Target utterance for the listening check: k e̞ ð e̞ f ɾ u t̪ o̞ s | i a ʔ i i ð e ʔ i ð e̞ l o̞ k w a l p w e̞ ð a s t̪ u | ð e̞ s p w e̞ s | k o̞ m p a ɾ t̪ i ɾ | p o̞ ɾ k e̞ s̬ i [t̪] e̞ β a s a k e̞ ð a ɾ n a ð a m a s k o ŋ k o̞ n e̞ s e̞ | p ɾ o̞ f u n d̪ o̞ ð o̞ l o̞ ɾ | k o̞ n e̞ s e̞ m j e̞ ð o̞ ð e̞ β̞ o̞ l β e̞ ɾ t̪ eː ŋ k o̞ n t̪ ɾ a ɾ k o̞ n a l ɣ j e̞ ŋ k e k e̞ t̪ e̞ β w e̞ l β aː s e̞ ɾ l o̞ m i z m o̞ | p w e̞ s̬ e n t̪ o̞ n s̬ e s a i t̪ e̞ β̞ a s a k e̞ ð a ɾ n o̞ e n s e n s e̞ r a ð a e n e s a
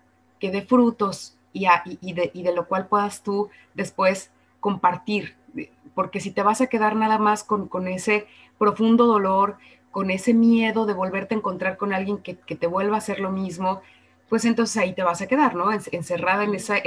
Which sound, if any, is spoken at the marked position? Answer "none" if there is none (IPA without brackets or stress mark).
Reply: t̪